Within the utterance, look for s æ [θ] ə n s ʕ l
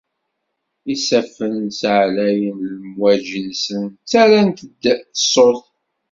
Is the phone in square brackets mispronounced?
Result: yes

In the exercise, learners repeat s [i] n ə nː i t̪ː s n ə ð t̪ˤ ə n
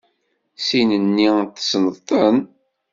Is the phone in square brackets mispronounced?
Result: no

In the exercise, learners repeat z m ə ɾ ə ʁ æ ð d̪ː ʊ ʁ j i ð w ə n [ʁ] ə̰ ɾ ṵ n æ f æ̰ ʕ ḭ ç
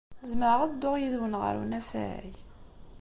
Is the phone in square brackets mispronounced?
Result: no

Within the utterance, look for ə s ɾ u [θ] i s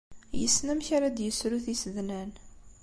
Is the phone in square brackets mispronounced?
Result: no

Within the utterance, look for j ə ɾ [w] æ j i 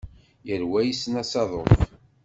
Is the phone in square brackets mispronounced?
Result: no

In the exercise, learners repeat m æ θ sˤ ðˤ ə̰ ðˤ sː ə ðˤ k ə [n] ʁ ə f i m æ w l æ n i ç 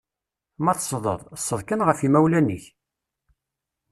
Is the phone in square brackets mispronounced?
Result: no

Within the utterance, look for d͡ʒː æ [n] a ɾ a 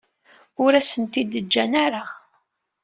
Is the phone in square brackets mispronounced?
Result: no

